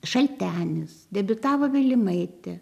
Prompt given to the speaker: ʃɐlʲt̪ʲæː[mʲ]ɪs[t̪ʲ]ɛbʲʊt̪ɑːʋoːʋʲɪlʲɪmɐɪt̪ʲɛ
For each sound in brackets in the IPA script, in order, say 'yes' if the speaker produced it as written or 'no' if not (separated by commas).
no, no